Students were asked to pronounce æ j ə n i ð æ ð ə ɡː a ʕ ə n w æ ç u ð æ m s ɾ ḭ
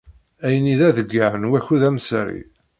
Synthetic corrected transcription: æ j ə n i ð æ ð ə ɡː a ʕ ə n w æ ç u ð æ m s ɾ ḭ